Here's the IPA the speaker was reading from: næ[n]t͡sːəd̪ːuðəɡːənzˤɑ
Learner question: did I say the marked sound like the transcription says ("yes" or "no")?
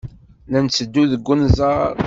yes